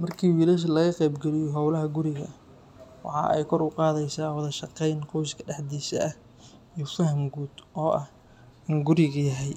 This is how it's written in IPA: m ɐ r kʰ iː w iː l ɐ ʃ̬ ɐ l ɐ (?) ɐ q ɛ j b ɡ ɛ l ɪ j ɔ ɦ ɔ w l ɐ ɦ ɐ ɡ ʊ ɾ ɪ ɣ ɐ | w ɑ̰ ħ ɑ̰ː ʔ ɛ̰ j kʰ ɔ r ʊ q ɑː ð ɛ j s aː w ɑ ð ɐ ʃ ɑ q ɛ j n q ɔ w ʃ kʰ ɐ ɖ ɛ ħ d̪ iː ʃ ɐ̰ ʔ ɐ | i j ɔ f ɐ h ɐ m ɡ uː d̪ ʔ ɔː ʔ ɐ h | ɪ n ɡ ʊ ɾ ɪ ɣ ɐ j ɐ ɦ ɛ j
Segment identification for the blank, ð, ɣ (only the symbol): ɣ